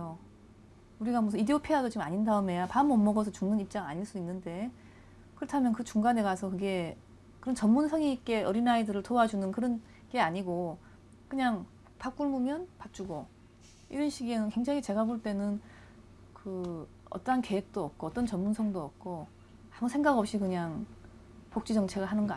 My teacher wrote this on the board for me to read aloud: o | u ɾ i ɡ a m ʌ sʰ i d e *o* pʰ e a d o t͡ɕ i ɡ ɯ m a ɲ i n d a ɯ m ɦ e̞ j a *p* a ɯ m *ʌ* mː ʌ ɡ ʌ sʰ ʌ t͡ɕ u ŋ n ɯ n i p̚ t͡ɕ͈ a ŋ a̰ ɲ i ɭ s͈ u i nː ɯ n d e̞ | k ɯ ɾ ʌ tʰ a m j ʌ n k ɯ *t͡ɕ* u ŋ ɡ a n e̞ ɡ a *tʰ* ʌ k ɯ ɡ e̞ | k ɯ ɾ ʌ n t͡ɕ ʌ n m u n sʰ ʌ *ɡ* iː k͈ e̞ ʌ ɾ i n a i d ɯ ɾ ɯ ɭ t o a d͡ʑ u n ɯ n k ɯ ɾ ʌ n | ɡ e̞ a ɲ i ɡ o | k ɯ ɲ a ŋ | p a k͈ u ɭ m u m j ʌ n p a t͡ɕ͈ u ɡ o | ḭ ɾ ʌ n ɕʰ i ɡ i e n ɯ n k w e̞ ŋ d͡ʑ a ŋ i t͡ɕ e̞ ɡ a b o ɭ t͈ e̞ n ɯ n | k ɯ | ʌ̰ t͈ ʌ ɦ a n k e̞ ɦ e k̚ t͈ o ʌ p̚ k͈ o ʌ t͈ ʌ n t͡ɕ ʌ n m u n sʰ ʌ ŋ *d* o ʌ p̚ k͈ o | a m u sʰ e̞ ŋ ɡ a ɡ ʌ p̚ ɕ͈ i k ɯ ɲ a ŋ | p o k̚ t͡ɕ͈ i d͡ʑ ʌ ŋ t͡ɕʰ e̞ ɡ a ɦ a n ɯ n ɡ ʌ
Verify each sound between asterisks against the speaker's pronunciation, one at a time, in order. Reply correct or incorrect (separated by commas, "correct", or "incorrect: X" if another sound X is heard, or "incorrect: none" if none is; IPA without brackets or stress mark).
correct, correct, correct, correct, incorrect: sʰ, incorrect: ŋ, correct